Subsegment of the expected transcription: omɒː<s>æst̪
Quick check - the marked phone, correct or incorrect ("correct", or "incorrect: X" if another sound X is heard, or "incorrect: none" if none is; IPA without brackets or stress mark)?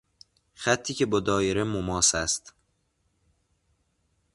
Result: correct